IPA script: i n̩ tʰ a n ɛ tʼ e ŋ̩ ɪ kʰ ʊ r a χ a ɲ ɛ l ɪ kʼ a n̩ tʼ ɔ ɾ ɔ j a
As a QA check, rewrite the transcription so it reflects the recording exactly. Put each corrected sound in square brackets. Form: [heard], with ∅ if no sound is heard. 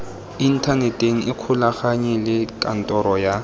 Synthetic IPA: i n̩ tʰ a n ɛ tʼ e ŋ̩ ɪ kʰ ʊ [l] a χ a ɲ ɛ l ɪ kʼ a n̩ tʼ ɔ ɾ ɔ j a

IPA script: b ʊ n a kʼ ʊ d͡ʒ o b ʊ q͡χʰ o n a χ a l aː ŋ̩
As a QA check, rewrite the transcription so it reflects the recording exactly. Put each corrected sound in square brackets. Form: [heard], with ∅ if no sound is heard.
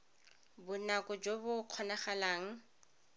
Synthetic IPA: b ʊ n a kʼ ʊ d͡ʒ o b ʊ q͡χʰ [ɔ] n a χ a l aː ŋ̩

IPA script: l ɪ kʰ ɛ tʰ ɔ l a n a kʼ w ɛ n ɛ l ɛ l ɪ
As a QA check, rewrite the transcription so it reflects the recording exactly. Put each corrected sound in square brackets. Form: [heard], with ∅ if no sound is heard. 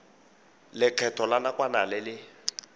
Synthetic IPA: l ɪ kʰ ɛ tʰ ɔ l a n a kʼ w [a] n [a] l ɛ l ɪ

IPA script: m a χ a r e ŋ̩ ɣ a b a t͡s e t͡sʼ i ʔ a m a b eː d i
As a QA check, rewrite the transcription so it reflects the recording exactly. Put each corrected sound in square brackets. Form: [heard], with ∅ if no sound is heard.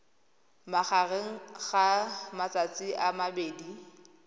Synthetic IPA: m a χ a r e ŋ̩ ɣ a [m] a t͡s [a] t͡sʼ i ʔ a m a b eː d i

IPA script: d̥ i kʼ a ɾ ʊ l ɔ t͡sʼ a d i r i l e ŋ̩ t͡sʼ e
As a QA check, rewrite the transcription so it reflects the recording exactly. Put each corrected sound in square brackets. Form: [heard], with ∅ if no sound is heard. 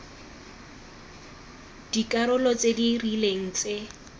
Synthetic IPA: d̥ i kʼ a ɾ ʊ l ɔ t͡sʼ [e] d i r i l e ŋ̩ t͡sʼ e

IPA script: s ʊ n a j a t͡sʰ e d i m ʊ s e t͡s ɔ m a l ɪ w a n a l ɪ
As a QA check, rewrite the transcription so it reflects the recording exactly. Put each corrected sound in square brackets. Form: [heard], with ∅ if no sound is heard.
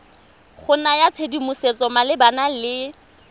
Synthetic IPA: [χ] ʊ n a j a t͡sʰ e d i m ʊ s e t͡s ɔ m a l ɪ [b] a n a l ɪ

